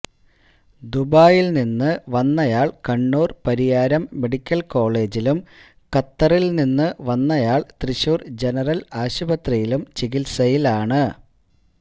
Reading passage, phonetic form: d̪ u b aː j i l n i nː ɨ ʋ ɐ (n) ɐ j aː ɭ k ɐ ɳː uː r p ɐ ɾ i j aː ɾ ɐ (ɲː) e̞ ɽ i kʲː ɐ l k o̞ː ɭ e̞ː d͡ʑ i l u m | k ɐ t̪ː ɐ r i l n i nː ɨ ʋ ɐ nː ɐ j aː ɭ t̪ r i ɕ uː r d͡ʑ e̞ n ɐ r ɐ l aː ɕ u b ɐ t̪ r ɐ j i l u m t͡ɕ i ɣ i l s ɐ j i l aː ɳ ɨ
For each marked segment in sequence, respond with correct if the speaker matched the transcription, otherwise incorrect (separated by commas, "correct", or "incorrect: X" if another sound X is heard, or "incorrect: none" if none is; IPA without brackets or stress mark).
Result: incorrect: nː, incorrect: mː